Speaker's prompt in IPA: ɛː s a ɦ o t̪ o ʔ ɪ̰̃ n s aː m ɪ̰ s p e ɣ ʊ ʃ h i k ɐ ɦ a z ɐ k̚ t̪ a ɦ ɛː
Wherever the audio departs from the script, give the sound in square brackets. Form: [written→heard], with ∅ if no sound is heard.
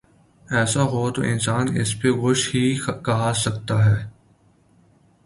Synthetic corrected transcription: ɛː s a ɦ o t̪ o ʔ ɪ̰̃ n s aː [m→n] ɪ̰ s p e ɣ ʊ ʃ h i k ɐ ɦ a [z→s] ɐ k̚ t̪ a ɦ ɛː